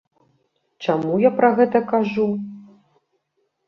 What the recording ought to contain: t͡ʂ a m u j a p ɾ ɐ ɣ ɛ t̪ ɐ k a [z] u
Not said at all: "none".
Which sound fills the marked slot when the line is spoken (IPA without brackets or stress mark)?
ʐ